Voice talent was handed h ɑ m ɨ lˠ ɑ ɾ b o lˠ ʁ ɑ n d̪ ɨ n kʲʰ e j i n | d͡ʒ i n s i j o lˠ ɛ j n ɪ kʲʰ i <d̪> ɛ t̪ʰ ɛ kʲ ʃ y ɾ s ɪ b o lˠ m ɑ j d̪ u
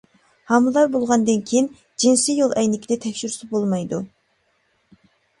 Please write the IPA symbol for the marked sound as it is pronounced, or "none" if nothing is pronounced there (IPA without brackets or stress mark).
d̪